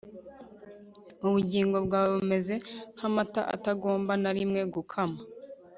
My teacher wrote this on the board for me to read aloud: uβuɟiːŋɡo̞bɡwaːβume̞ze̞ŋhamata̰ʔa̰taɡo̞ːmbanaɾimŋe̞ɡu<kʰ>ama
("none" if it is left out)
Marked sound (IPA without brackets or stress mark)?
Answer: kʰ